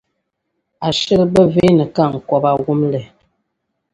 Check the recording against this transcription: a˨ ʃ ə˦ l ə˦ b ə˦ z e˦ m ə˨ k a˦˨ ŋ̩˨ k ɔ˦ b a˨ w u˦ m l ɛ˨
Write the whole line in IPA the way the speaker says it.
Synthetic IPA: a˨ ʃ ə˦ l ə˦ b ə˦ v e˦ n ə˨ k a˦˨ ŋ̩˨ k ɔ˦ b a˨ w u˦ m l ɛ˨